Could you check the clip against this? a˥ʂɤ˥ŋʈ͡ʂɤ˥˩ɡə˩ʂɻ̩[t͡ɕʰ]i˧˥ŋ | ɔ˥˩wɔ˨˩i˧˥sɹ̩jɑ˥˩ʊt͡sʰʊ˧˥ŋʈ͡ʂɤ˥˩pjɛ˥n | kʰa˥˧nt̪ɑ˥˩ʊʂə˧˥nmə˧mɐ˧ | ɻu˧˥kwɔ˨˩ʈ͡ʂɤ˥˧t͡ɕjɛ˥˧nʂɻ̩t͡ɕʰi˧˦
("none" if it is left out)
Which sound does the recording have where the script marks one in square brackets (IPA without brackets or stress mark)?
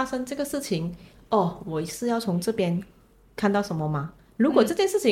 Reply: t͡ɕʰ